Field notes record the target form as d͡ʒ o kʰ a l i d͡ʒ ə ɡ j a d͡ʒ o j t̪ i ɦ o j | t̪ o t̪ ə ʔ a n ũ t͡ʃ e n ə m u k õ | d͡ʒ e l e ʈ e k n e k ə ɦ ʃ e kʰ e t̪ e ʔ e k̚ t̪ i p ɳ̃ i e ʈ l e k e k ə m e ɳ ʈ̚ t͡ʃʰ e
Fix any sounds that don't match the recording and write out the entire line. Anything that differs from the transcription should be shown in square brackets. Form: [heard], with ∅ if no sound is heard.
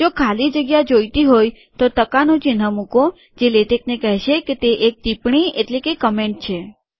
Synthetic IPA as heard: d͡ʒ o kʰ a l i d͡ʒ ə ɡ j a d͡ʒ o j t̪ i ɦ o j | t̪ o t̪ ə [k] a n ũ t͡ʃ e n ə m u k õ | d͡ʒ e l e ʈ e k n e k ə ɦ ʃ e [k] e t̪ e ʔ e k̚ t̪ i p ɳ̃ i e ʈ l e k e k ə m e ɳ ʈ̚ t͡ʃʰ e